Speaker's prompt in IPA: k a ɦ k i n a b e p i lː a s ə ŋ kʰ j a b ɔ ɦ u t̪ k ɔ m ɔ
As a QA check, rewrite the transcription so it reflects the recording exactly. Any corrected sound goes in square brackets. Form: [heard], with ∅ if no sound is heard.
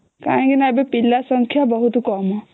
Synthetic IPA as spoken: k a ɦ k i n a b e p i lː a s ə ŋ kʰ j a b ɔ ɦ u t̪ k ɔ m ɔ